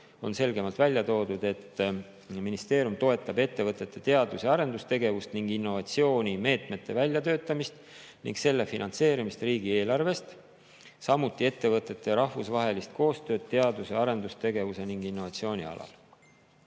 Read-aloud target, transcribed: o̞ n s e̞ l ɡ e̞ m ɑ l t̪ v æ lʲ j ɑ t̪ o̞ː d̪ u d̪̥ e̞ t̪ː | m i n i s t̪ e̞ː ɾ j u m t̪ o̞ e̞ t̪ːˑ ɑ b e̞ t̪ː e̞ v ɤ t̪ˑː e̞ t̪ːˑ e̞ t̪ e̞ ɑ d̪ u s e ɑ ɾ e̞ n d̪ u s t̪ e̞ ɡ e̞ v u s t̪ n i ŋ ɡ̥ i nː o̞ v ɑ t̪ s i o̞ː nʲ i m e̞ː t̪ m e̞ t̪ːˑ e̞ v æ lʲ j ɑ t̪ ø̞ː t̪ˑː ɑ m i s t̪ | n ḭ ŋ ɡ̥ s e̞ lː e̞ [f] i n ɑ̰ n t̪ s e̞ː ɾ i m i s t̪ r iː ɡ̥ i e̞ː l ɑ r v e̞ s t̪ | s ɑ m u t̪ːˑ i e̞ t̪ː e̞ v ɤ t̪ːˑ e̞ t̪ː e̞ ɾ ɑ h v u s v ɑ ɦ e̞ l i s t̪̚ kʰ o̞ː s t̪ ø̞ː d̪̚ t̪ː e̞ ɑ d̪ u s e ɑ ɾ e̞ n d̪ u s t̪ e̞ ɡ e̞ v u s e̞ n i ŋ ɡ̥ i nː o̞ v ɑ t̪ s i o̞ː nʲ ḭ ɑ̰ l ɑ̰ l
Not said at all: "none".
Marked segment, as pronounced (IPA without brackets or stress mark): f